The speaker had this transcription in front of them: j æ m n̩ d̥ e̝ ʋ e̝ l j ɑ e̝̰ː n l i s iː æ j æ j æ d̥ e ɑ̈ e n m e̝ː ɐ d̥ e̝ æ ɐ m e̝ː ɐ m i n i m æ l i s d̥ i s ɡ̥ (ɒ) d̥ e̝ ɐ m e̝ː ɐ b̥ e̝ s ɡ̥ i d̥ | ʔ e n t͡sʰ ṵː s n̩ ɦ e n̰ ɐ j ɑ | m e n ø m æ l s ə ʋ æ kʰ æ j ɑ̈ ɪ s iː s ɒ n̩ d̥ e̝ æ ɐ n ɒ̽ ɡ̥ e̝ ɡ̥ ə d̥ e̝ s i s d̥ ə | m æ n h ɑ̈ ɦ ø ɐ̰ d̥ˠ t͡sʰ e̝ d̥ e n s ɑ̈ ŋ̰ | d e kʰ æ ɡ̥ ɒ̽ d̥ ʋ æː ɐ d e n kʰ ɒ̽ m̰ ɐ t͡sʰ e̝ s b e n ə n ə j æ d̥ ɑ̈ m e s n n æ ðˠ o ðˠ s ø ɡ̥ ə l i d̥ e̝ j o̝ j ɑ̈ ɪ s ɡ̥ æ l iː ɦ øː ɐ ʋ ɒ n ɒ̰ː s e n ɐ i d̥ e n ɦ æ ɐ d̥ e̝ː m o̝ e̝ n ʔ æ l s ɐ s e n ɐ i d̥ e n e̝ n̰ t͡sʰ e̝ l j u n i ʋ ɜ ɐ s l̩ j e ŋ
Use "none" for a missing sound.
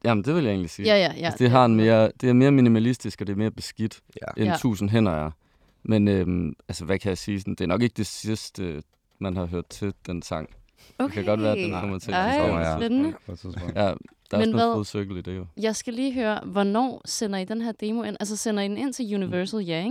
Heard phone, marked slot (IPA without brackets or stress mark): ɒ